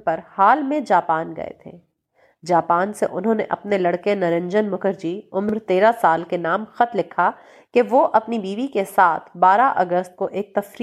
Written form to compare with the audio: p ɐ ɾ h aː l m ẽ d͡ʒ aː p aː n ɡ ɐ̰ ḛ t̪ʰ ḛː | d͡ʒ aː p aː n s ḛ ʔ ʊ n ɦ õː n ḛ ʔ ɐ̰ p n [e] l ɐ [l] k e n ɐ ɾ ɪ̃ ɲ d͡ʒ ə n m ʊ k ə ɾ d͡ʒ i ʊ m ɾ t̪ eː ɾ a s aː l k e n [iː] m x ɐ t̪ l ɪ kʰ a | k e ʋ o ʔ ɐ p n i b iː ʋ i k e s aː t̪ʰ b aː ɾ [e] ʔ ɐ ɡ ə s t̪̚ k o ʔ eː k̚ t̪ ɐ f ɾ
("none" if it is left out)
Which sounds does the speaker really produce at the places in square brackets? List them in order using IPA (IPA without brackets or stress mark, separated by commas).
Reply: e, ɽ, aː, a